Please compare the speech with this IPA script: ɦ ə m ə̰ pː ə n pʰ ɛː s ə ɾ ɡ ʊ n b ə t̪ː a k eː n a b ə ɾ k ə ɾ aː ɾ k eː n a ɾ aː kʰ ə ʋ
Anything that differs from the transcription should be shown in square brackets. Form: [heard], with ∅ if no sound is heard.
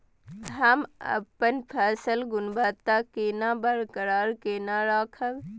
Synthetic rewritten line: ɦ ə m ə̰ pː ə n pʰ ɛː s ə [l] ɡ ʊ n b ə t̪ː a k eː n a b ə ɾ k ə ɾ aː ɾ k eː n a ɾ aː kʰ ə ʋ

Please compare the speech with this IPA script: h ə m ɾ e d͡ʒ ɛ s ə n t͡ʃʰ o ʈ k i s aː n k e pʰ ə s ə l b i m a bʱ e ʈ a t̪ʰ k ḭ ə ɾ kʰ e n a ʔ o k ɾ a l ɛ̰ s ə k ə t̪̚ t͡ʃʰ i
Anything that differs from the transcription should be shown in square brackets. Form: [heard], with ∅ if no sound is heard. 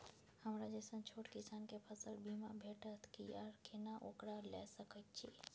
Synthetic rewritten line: h ə m ɾ [a] d͡ʒ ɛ s ə n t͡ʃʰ o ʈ k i s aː n k e pʰ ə s ə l b i m a bʱ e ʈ [ə] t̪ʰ k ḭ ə ɾ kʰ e n a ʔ o k ɾ a l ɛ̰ s ə k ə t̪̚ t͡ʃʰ i

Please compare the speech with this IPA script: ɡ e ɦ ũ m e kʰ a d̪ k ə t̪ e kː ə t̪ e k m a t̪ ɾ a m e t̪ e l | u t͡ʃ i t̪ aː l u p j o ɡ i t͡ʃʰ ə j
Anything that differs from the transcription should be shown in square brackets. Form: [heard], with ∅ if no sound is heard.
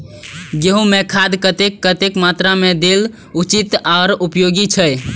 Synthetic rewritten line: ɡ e ɦ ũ m e kʰ a d̪ k ə t̪ e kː ə t̪ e k m a t̪ ɾ a m e [d̪] e l | u t͡ʃ i t̪ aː [ɾ] u p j o ɡ i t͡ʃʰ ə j

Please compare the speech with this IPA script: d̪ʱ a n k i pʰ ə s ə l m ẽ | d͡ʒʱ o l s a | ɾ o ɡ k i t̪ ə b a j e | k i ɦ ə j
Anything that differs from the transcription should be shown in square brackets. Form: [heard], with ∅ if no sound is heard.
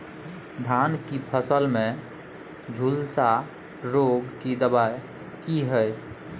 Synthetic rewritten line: d̪ʱ a n k i pʰ ə s ə l m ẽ | d͡ʒʱ [u] l s a | ɾ o ɡ k i [d̪] ə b a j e | k i ɦ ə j

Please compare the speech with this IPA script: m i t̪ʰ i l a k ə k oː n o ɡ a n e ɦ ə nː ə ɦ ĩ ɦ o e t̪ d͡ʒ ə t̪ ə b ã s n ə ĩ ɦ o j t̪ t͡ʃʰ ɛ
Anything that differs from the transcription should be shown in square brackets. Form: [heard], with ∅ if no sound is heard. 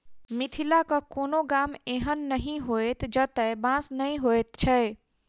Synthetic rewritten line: m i t̪ʰ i l a k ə k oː n o ɡ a [m] e ɦ ə nː ə ɦ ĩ ɦ o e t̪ d͡ʒ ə t̪ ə b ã s n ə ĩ ɦ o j t̪ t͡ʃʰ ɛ

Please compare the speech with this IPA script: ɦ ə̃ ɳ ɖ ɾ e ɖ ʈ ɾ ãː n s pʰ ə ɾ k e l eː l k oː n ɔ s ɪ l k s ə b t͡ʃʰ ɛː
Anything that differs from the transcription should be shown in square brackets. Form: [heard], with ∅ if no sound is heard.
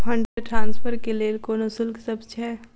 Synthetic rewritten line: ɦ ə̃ ɳ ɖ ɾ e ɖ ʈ ɾ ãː n s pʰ ə ɾ k e l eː l k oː n [o] s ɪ l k s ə b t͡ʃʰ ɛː

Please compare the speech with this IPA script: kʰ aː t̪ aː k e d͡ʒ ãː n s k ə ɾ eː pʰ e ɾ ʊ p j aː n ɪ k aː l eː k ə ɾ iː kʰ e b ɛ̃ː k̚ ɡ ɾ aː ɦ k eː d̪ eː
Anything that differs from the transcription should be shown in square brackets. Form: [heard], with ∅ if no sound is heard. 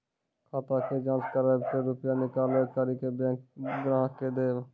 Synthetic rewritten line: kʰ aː t̪ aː k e d͡ʒ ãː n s k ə ɾ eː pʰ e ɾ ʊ p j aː n ɪ k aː l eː k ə ɾ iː [k] e b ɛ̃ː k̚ ɡ ɾ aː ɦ k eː d̪ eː

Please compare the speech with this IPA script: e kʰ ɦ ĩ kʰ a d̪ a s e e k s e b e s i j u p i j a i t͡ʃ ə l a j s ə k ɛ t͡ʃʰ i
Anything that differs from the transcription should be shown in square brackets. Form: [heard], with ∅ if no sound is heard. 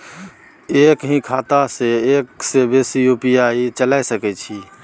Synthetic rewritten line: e [k] ɦ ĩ kʰ a [t̪] a s e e k s e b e s i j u p i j a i t͡ʃ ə l a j s ə k ɛ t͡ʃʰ i

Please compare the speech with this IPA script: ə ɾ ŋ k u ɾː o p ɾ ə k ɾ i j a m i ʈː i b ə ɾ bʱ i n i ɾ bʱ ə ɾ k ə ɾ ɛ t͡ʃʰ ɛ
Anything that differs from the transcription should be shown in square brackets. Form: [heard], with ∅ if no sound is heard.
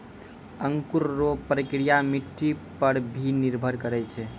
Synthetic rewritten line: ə [∅] ŋ k u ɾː o p ɾ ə k ɾ i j a m i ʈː i [p] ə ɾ bʱ i n i ɾ bʱ ə ɾ k ə ɾ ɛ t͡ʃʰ ɛ

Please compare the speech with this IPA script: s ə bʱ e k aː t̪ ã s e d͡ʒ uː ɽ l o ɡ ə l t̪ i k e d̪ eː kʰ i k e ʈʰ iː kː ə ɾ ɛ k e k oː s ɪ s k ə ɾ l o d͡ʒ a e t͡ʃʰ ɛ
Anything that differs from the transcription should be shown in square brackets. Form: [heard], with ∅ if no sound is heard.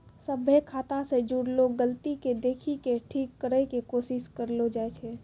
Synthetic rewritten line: s ə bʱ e [kʰ] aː t̪ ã s e d͡ʒ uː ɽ l o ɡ ə l t̪ i k e d̪ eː kʰ i k e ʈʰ iː kː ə ɾ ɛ k e k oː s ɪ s k ə ɾ l o d͡ʒ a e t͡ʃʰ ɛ

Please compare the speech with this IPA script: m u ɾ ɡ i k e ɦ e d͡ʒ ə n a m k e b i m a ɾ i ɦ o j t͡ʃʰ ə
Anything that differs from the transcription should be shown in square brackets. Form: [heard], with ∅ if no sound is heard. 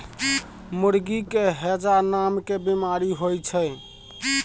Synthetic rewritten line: m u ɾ ɡ i k e ɦ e d͡ʒ [a] n a m k e b i m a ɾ i ɦ o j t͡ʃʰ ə

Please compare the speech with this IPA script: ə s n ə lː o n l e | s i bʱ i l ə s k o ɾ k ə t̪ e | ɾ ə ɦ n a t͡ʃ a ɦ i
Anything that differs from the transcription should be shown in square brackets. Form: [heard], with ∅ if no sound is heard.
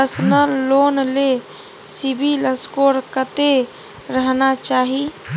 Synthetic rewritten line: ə s n ə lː o n l e | s i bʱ i l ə s k o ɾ k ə t̪ e | ɾ ə ɦ n a t͡ʃ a ɦ i

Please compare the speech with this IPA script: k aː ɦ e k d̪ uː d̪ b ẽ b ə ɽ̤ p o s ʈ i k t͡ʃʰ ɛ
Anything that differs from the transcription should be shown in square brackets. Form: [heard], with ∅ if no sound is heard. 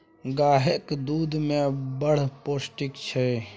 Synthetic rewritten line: [ɡ] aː ɦ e k d̪ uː d̪ [m] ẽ b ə ɽ̤ p o s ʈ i k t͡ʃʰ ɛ

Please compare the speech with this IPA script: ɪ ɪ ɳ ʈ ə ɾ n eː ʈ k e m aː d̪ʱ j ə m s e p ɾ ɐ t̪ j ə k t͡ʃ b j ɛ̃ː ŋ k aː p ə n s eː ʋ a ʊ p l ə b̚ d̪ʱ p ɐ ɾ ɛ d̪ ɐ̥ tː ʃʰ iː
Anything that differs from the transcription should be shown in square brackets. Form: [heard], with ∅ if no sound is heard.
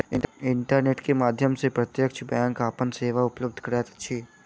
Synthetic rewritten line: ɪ ɪ ɳ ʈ ə ɾ n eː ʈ k e m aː d̪ʱ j ə m s e p ɾ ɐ t̪ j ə k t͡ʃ b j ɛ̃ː ŋ k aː p ə n s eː ʋ a ʊ p l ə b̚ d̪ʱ [k] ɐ ɾ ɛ [t̪] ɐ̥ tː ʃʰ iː

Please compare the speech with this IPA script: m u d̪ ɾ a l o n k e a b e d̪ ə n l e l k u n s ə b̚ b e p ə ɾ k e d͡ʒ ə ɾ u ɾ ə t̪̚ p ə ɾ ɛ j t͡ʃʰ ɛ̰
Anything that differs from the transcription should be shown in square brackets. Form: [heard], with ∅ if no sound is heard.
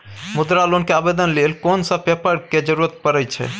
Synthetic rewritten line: m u d̪ ɾ a l o n k e a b e d̪ ə n l e l k [o] n s ə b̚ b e p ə ɾ k e d͡ʒ ə ɾ u ɾ ə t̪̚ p ə ɾ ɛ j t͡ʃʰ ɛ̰

